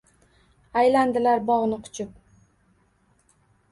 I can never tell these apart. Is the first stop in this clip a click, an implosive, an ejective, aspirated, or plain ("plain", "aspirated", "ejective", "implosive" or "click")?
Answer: plain